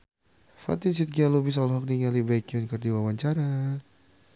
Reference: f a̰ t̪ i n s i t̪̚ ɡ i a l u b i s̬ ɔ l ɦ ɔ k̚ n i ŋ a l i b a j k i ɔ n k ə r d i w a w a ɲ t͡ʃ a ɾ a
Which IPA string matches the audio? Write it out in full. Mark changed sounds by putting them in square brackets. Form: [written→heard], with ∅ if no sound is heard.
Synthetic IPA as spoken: f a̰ t̪ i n s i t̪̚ ɡ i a l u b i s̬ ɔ l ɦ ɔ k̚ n i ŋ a l i b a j k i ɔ n k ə r d i w a w a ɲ t͡ʃ a ɾ a